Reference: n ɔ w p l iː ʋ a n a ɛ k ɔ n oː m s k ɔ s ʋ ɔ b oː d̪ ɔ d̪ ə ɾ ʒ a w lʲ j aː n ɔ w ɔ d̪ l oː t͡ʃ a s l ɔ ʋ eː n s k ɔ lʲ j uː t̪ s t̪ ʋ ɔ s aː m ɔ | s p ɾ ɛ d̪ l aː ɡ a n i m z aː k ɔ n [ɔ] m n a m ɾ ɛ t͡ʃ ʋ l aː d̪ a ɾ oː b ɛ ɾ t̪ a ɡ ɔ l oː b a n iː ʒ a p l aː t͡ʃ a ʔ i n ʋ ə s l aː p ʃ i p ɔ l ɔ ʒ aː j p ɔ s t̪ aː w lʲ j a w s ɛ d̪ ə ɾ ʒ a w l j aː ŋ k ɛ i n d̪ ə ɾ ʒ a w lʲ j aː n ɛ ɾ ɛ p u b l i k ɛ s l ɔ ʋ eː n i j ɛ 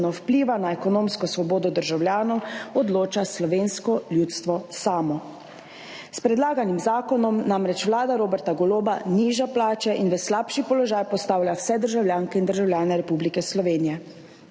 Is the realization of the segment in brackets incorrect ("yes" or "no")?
no